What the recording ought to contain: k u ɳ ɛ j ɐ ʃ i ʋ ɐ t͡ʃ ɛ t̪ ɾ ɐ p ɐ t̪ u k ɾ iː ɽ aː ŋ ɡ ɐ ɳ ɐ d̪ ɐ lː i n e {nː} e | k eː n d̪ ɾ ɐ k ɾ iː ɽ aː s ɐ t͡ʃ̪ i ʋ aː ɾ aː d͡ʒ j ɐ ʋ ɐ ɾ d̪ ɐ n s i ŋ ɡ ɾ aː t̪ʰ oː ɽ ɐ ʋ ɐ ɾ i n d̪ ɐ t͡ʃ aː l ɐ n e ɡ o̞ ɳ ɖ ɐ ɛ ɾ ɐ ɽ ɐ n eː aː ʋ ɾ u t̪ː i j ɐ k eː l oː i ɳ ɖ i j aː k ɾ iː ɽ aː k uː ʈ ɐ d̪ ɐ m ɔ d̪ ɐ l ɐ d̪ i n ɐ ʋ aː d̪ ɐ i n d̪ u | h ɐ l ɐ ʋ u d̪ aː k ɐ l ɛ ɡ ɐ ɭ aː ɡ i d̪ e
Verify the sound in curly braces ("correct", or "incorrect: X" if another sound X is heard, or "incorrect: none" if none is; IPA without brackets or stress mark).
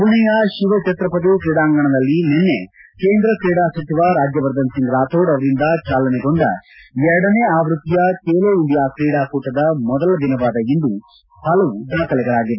correct